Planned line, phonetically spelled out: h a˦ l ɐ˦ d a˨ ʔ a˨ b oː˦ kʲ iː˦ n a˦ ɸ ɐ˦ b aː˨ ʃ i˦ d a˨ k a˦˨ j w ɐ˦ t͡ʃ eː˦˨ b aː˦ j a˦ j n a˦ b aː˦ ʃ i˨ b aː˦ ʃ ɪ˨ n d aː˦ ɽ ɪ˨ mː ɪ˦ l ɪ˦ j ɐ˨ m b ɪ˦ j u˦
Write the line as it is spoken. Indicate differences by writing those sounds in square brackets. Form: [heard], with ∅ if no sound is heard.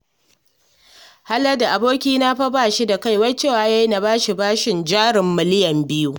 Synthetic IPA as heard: h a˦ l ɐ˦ d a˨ ʔ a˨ b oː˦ kʲ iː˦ n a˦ ɸ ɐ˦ b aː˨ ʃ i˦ d a˨ k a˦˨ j w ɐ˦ t͡ʃ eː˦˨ [w] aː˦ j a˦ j n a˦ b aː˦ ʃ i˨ b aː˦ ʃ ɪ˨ n [d͡ʒ] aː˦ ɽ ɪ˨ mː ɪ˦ l ɪ˦ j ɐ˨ m b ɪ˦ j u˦